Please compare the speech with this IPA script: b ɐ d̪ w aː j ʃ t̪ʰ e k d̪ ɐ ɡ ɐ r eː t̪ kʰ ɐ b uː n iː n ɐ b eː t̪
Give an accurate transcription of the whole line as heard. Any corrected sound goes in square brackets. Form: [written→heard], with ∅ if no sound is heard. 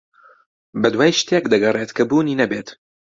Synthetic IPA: b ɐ d̪ w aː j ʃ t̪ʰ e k d̪ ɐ ɡ ɐ r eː t̪ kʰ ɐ b uː n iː n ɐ b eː t̪